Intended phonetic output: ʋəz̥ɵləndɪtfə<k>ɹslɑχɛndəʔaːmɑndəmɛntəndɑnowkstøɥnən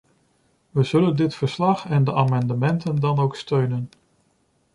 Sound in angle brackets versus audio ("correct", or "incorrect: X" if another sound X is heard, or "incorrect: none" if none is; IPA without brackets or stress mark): incorrect: none